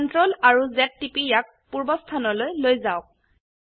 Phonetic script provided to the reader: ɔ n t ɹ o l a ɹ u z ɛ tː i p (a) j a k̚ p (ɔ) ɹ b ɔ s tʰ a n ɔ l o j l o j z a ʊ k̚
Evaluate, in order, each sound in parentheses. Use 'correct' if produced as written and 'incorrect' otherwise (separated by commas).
incorrect, incorrect